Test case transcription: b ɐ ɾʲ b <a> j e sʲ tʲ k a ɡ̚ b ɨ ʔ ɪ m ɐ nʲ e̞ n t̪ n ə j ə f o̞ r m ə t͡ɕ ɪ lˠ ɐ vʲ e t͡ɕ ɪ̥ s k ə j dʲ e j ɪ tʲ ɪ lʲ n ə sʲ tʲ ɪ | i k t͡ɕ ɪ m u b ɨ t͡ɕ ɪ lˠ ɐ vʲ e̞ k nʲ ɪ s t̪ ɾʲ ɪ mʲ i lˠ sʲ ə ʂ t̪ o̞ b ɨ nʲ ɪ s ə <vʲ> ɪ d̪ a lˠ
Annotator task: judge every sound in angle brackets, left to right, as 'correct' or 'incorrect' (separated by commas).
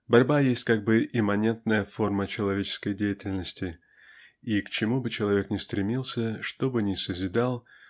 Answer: correct, incorrect